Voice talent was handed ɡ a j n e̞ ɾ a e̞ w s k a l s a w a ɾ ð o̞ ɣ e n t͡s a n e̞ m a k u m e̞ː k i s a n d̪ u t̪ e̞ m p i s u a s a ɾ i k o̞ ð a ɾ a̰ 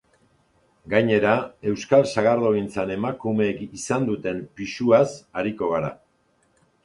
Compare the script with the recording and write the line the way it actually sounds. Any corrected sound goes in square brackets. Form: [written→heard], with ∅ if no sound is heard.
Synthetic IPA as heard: ɡ a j [n→ɲ] e̞ ɾ a e̞ w s k a l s a [w→ɣ] a ɾ ð o̞ ɣ [e→i] n t͡s a n e̞ m a k u m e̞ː k i s a n d̪ u t̪ e̞ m p i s u a s a ɾ i k o̞ [ð→ɣ] a ɾ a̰